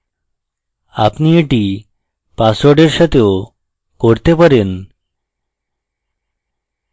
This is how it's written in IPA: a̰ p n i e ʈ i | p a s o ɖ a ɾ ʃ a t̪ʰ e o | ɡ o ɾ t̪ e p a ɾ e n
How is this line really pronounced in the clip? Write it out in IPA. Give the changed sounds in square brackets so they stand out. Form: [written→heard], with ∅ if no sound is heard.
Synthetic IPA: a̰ p n i e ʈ i | p a s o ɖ [a→e] ɾ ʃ a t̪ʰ e o | [ɡ→k] o ɾ t̪ e p a ɾ e n